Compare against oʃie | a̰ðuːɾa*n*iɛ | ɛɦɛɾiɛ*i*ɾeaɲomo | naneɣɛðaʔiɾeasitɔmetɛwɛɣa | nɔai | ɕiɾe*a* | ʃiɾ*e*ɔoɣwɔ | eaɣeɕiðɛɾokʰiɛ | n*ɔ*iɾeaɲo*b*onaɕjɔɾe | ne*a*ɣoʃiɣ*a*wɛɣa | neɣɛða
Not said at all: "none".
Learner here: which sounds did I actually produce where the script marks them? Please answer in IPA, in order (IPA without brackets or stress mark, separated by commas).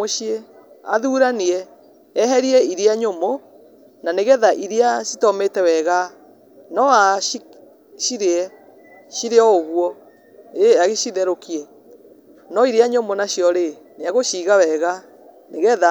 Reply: n, i, ɛ, e, ɔ, m, a, a